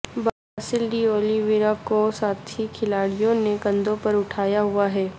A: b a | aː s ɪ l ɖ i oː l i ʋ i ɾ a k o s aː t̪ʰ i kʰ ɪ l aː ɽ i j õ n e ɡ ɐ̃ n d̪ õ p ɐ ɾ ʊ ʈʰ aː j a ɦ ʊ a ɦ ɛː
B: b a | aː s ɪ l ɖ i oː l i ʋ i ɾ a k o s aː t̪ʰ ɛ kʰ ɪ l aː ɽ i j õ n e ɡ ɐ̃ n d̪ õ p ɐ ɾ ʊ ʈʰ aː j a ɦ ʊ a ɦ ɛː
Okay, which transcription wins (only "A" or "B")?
A